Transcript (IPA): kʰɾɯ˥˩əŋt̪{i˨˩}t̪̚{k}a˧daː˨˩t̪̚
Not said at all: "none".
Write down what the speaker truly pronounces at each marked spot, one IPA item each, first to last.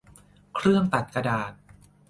a˨˩, k

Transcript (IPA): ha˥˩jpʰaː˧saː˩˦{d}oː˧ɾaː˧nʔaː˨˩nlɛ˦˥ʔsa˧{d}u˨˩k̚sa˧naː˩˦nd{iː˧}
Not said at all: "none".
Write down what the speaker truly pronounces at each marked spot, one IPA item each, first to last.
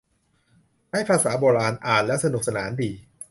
b, n, iː˧

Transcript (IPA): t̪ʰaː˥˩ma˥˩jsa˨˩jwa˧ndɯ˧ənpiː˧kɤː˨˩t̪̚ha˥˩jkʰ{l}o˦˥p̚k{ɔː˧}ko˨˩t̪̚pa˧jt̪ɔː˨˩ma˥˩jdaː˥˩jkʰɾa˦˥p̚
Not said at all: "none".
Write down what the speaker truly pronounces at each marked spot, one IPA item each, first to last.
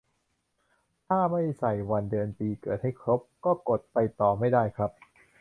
ɾ, ɔː˥˩

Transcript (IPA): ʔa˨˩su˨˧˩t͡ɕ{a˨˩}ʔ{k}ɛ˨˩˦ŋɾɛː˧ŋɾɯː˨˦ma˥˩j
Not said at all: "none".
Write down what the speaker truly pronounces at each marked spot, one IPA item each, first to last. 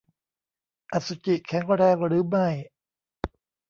i˨˩, kʰ

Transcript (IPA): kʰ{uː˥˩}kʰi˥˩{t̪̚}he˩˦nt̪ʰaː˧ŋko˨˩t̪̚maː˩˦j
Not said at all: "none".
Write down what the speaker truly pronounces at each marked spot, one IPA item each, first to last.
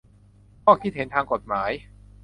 ɔː˥˩, t̪̚

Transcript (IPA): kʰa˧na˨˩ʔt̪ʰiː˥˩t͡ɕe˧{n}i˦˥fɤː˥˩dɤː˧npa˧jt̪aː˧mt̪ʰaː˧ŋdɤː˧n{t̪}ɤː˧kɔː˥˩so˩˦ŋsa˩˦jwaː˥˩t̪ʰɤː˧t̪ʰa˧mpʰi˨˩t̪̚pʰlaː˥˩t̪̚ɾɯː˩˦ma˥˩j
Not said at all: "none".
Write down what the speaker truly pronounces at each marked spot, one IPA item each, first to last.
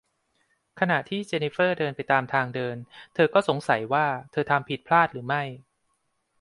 n, t̪ʰ

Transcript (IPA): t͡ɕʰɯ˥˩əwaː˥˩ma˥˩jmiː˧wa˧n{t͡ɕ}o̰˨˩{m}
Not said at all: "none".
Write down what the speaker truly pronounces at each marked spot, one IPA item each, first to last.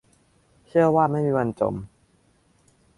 t͡ɕ, m

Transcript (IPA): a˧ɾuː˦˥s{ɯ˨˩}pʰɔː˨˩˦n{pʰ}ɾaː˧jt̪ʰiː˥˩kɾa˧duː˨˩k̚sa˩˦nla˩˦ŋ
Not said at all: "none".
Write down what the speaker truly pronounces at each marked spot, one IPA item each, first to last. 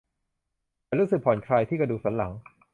ɯ˨˩, kʰ

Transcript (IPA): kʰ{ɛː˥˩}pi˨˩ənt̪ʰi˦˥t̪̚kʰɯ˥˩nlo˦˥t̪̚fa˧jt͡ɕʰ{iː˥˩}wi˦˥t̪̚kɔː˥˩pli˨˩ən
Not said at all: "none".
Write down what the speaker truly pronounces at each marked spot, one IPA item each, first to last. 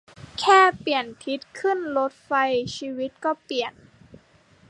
ɛː˥˩, iː˧

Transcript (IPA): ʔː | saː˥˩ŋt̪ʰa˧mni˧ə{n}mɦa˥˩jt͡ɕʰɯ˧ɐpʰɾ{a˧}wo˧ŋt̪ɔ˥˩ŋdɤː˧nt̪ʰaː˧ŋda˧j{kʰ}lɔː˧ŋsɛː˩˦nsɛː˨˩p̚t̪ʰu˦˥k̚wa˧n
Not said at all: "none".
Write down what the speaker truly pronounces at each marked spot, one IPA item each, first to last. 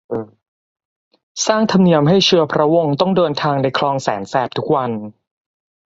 none, a˦˥, kʰ

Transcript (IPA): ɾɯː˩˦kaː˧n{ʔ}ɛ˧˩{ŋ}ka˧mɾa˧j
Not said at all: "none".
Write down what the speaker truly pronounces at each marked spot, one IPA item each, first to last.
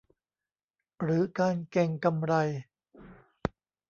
k, ŋ

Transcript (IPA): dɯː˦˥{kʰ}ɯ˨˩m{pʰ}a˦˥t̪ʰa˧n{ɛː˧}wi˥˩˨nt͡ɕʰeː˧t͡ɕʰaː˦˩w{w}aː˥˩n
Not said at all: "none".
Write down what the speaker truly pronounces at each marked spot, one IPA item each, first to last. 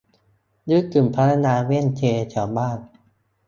k, pʰ, aː˧, b

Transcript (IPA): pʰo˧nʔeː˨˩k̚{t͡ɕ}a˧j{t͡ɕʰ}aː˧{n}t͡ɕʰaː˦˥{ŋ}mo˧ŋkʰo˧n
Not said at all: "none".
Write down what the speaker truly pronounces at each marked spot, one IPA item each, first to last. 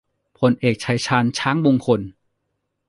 t͡ɕʰ, t͡ɕʰ, n, ŋ

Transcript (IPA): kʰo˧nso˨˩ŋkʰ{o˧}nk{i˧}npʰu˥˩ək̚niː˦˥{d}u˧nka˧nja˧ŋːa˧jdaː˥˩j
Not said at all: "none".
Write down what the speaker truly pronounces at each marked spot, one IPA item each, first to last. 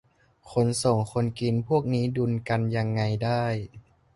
o˧, i˧, d

